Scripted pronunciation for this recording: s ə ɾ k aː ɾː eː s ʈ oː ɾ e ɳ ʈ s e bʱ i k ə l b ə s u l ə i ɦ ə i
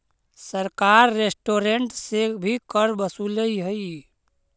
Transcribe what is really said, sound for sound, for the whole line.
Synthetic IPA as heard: s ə ɾ k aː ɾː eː s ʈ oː ɾ e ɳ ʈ s e bʱ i k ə ɾ b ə s u l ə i ɦ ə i